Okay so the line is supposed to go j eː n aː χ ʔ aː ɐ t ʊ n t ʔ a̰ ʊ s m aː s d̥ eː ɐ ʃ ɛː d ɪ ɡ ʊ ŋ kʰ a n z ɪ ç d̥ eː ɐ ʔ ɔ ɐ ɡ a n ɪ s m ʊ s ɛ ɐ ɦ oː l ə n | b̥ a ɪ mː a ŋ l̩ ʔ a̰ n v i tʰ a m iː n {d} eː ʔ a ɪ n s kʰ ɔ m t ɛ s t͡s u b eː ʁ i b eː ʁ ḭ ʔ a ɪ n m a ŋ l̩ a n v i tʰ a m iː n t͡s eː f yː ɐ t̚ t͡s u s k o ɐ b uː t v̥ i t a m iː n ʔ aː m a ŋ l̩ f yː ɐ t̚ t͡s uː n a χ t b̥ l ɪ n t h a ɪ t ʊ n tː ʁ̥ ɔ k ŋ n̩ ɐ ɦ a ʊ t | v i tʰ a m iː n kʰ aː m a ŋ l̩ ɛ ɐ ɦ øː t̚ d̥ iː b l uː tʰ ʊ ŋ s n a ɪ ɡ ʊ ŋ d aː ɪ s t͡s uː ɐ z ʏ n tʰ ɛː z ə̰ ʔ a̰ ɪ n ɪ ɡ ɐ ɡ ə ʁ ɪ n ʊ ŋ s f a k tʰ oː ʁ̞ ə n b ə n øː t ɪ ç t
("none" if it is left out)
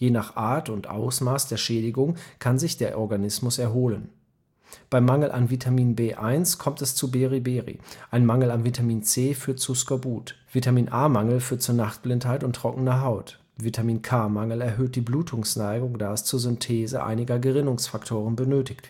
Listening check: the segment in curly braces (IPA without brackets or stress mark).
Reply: b